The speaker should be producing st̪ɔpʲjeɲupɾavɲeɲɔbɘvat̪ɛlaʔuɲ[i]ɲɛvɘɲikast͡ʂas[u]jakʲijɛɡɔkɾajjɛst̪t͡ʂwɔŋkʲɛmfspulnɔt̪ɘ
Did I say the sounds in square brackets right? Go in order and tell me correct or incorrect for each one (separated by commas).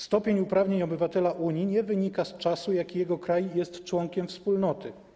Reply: correct, correct